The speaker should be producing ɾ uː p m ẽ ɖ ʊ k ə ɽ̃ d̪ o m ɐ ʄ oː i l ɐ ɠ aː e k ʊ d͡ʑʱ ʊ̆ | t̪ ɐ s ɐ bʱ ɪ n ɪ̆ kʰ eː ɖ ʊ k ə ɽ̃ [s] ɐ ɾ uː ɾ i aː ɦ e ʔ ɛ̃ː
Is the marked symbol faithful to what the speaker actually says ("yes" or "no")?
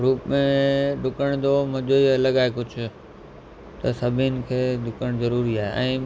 no